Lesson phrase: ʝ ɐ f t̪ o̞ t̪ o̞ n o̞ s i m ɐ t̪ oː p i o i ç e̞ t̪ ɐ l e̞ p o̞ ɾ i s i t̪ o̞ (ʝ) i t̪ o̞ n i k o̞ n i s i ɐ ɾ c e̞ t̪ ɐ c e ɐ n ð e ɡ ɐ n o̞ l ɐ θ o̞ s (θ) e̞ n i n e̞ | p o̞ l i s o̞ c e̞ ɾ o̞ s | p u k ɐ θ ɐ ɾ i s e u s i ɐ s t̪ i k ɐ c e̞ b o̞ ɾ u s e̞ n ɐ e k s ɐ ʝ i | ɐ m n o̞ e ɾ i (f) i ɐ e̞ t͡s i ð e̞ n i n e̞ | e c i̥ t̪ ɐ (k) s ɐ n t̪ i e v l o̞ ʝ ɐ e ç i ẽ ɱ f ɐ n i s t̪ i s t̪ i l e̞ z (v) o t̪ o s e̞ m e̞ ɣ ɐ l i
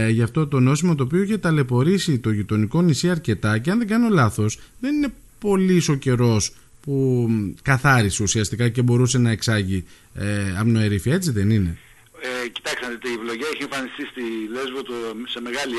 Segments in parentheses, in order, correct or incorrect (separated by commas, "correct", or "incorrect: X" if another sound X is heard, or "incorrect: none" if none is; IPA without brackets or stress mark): correct, incorrect: ð, correct, correct, correct